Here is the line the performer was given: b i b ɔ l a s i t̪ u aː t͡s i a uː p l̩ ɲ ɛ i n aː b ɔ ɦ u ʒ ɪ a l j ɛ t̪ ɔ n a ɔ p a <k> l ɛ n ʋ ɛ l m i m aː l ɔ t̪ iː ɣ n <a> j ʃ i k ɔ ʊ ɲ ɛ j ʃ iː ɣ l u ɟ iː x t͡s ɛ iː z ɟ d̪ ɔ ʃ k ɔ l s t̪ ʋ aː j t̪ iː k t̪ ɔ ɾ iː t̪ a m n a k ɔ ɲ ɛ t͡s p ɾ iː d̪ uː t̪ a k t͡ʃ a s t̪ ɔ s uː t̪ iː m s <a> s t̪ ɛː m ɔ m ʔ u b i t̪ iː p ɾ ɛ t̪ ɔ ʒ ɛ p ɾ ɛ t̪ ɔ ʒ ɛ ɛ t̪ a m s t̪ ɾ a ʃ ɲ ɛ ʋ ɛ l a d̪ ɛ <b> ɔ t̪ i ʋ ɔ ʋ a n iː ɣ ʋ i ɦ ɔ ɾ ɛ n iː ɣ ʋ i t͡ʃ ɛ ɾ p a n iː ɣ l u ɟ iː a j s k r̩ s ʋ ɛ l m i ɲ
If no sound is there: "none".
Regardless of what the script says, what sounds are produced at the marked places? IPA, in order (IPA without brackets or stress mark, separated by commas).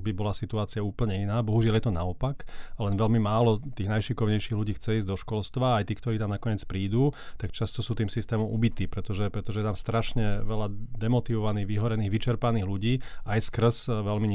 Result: k, a, i, m